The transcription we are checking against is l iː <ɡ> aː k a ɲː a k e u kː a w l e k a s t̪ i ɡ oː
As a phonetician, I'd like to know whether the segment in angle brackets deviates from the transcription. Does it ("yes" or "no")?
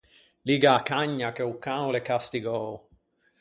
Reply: no